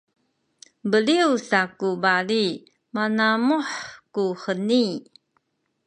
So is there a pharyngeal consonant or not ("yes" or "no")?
yes